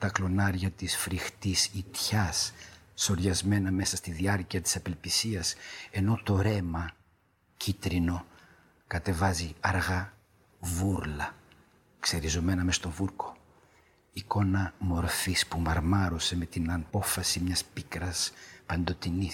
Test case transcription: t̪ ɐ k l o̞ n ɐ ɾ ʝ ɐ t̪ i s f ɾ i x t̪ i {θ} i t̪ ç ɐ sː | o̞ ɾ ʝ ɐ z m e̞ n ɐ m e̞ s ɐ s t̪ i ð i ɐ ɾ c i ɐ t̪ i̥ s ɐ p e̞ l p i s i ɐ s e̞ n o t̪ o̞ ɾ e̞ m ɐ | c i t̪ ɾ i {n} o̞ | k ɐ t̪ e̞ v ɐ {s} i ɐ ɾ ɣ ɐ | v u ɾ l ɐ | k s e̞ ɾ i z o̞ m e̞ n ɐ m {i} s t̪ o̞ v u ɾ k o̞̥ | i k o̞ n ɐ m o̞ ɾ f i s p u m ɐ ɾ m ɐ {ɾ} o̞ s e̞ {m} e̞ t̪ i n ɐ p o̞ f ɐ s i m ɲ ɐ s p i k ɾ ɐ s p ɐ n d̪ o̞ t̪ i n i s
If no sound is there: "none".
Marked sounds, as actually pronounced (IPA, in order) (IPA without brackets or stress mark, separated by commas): s, n, z, e, ɾ, m